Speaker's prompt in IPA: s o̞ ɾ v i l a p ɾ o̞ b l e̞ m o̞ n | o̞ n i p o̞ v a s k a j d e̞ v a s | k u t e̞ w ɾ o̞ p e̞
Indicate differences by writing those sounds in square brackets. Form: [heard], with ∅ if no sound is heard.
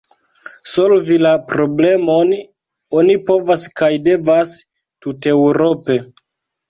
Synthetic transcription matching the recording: s o̞ [l] v i l a p ɾ o̞ b l e̞ m o̞ n | o̞ n i p o̞ v a s k a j d e̞ v a s | [t] u t e̞ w ɾ o̞ p e̞